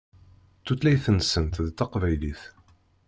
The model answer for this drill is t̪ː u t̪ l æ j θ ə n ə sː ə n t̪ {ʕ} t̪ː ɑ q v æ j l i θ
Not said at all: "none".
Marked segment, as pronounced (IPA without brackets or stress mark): ð